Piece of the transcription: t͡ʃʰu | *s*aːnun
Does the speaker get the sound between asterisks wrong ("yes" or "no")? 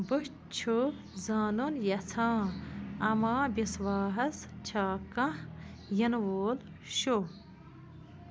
yes